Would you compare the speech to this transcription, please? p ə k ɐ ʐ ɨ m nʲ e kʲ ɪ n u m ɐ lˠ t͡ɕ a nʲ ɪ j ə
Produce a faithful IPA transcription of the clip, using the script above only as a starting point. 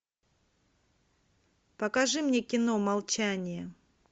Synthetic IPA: p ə k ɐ ʐ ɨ m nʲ e kʲ ɪ n o m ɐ lˠ t͡ɕ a nʲ ɪ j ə